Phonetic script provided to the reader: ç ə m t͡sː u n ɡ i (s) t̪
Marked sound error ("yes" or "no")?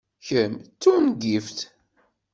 yes